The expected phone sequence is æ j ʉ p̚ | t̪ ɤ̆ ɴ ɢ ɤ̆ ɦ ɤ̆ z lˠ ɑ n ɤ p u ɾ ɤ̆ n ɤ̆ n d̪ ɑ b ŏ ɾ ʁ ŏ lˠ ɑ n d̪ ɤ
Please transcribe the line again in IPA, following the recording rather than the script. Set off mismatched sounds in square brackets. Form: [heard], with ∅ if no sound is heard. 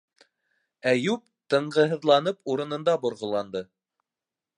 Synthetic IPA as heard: æ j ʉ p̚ | t̪ ɤ̆ ɴ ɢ ɤ̆ ɦ ɤ̆ [ð] lˠ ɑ n ɤ p u ɾ ɤ̆ n ɤ̆ n d̪ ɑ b ŏ ɾ ʁ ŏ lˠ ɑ n d̪ ɤ